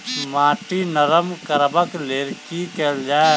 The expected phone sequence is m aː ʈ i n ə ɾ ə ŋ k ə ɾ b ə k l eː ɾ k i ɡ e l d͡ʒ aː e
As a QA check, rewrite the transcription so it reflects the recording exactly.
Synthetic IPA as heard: m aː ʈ i n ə ɾ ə m k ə ɾ b ə k l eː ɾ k i k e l d͡ʒ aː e